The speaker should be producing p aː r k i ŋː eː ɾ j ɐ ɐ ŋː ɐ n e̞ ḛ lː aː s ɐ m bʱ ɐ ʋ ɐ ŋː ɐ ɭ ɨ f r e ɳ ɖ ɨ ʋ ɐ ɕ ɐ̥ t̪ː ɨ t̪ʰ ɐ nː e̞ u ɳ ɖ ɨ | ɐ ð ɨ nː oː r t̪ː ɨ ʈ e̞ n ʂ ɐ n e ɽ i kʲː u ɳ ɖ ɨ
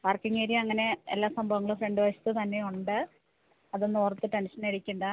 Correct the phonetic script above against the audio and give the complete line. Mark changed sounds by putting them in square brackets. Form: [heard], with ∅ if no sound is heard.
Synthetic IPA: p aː r k i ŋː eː ɾ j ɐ ɐ ŋː ɐ n e̞ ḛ lː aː s ɐ m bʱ ɐ ʋ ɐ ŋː ɐ ɭ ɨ f r e ɳ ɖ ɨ ʋ ɐ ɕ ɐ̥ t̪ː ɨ [t̪] ɐ nː e̞ u ɳ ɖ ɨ | ɐ ð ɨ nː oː r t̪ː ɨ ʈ e̞ n ʂ ɐ n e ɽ i kʲː u ɳ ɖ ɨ